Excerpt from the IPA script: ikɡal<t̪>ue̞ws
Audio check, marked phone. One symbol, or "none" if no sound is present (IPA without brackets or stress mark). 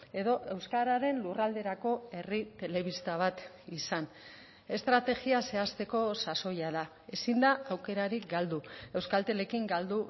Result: d̪